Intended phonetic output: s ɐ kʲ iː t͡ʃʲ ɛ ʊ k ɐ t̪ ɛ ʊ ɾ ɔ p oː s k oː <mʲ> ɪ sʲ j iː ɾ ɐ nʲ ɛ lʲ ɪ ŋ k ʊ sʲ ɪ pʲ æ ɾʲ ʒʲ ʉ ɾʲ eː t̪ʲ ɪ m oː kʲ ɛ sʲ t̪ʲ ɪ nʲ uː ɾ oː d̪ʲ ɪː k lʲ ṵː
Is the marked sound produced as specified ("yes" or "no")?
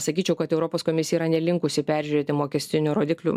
yes